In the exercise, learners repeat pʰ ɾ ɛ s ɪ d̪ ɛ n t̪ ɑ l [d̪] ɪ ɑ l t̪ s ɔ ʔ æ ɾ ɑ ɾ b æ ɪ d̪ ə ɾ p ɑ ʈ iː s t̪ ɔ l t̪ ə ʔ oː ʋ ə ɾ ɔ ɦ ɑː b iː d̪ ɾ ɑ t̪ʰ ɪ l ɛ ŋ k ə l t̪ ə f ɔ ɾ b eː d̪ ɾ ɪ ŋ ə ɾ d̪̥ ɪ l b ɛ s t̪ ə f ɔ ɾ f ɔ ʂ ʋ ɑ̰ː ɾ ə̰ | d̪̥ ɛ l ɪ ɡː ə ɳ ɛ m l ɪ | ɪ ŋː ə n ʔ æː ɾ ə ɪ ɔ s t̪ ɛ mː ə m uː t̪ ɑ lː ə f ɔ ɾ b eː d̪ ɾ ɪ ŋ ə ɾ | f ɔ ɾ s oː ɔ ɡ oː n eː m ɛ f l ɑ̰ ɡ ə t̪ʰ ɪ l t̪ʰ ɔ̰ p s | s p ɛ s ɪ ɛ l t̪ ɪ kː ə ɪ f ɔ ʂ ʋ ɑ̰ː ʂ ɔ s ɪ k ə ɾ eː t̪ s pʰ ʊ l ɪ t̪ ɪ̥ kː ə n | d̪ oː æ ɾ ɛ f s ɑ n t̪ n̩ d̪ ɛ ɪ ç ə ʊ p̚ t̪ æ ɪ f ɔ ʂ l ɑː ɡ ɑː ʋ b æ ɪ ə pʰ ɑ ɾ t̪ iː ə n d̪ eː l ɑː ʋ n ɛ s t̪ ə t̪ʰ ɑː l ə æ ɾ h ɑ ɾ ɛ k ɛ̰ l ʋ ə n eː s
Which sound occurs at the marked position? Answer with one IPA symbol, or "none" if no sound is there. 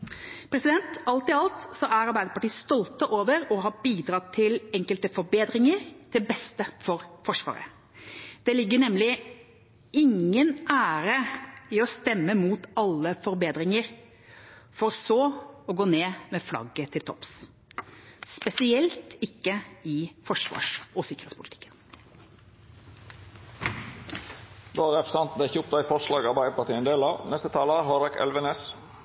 t̪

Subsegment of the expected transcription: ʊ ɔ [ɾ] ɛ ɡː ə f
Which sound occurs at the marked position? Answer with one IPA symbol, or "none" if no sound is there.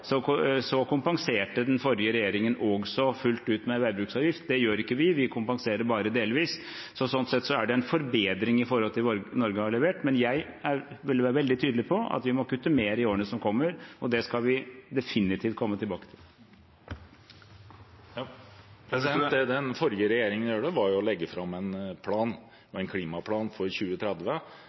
l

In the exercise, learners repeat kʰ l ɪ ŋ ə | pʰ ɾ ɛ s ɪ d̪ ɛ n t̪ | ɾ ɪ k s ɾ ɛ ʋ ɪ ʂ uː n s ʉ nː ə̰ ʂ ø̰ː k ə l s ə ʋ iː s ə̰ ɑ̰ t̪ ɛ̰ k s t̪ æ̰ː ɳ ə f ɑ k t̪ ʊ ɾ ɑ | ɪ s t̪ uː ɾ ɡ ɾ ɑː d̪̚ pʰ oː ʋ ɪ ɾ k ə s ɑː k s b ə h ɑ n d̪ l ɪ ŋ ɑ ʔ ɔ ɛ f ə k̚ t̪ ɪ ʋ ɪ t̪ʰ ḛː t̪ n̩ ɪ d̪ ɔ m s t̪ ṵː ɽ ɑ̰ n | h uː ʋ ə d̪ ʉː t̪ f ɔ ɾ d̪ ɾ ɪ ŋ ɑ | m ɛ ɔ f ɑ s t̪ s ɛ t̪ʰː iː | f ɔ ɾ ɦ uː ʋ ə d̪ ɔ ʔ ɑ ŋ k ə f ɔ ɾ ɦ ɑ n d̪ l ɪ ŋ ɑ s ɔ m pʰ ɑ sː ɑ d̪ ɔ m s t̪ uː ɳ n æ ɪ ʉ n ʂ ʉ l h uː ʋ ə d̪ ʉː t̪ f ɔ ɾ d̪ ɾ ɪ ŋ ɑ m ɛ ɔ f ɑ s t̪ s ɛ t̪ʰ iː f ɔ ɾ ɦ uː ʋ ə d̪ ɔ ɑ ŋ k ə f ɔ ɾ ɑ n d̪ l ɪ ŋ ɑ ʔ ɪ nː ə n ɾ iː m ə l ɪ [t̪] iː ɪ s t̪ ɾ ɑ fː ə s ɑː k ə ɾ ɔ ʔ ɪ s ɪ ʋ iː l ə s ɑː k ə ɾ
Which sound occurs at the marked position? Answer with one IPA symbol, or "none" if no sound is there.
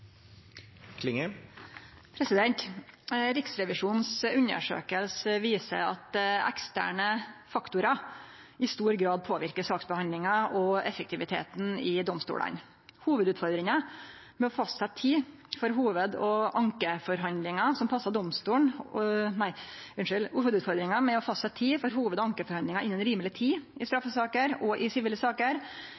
t̪ʰ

